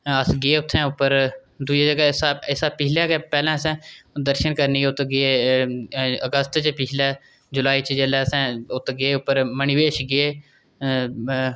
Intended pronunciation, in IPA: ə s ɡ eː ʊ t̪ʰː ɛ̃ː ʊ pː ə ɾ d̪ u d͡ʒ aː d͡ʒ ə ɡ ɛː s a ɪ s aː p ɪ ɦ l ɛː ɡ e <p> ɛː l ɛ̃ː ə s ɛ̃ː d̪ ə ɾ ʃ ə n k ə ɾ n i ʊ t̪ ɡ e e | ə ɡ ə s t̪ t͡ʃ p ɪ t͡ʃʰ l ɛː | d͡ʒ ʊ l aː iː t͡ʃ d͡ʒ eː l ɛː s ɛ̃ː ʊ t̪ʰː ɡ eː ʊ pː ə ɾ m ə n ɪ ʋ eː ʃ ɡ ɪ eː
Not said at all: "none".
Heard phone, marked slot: p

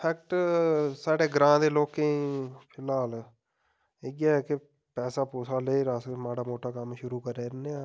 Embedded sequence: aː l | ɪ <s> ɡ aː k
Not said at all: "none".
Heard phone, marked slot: none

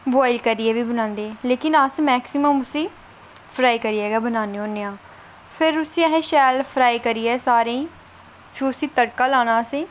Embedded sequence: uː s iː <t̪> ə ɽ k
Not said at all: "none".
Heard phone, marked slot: t̪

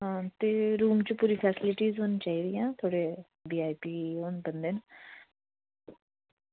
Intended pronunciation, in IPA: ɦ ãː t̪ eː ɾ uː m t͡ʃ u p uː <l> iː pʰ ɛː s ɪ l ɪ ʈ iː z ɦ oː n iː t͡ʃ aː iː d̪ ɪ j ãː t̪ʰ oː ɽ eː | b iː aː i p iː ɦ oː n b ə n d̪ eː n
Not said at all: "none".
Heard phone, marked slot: ɾ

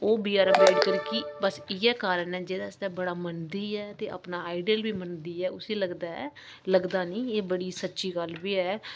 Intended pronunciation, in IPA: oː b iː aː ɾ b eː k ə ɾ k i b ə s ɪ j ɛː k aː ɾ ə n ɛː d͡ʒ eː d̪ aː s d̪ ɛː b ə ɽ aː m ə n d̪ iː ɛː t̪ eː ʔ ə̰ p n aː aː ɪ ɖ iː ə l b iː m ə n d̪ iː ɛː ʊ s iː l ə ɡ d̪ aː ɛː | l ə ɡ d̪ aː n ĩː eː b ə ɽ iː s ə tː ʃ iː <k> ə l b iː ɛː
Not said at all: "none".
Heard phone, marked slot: ɡ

